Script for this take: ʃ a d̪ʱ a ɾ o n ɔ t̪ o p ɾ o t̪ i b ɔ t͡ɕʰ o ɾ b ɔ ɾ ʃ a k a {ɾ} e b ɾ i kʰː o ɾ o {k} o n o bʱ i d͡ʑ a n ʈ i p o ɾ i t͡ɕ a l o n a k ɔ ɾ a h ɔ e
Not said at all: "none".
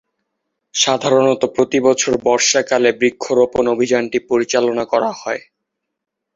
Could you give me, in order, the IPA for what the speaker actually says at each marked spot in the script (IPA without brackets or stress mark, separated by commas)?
l, p